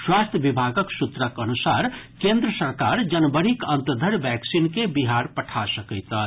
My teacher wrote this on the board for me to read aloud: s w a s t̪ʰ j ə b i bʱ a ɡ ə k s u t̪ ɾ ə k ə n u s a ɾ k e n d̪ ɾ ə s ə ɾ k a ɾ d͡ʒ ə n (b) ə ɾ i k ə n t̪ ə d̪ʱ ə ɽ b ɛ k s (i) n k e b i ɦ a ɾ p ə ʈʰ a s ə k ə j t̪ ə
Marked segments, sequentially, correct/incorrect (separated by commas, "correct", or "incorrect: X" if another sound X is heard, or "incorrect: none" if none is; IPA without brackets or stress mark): correct, correct